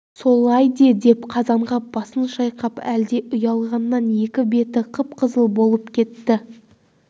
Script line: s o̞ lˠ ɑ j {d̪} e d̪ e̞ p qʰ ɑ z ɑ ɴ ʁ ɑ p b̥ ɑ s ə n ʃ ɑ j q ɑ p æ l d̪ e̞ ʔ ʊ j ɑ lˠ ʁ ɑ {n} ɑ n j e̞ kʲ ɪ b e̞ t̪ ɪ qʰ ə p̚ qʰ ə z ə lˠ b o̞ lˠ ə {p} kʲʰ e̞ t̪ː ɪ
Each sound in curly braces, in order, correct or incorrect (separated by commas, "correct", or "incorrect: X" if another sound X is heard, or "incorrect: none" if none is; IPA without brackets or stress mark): correct, incorrect: nː, correct